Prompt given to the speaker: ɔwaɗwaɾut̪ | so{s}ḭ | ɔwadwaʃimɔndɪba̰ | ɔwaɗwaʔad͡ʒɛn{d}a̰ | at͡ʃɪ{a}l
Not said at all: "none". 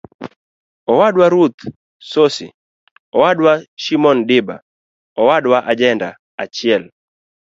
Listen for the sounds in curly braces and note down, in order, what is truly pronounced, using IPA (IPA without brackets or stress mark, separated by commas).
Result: s, d, ɛ